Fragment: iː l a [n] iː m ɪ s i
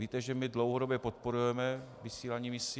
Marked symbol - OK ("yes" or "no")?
no